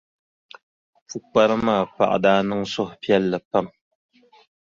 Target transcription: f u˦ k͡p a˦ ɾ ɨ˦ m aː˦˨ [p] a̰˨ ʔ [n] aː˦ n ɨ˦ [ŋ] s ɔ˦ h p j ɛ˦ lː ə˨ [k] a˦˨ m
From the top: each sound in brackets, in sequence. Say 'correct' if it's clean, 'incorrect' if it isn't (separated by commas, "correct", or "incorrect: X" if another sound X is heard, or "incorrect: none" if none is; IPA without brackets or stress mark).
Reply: correct, incorrect: d, correct, incorrect: p